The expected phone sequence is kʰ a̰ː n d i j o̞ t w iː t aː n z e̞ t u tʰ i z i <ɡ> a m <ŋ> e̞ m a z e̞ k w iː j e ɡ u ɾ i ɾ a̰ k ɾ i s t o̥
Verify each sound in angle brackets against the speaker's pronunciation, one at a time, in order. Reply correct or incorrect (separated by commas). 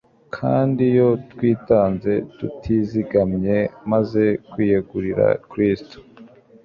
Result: correct, incorrect